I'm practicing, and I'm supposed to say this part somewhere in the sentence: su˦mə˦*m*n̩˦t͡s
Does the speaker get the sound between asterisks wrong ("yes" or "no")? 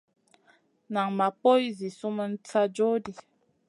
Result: yes